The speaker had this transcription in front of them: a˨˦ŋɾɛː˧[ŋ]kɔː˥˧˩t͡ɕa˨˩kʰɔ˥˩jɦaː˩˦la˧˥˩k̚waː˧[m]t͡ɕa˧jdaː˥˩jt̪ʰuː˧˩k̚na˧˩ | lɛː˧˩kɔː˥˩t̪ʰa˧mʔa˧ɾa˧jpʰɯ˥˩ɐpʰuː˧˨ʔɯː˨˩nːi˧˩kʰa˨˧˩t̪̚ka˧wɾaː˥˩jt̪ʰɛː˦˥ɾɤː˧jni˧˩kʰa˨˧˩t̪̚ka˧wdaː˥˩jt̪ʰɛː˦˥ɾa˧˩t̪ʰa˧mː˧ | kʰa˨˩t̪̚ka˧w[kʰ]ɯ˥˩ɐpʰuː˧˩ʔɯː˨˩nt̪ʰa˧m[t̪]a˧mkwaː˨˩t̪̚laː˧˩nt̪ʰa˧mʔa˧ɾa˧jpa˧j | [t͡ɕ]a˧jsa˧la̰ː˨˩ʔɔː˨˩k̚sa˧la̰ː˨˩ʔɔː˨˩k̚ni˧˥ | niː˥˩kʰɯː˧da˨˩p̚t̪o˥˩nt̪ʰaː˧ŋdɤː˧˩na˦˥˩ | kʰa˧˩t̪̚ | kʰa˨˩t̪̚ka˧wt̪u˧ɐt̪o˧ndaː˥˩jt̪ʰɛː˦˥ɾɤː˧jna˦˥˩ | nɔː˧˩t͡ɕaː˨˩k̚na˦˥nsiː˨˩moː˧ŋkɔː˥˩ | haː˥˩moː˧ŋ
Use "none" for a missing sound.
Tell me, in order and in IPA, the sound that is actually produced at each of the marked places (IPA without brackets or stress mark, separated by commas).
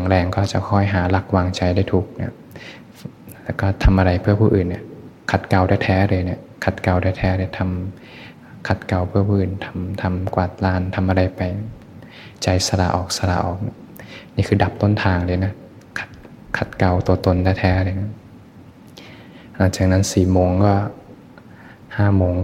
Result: ŋ, ŋ, pʰ, t̪ʰ, t͡ɕ